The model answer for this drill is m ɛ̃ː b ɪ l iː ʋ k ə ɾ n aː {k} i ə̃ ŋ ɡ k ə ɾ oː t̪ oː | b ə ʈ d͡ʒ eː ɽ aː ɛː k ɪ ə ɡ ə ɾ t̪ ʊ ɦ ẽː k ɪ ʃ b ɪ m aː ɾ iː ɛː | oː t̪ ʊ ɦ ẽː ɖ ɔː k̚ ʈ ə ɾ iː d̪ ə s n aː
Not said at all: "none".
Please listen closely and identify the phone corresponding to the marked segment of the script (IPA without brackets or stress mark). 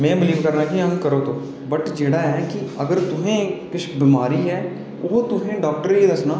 k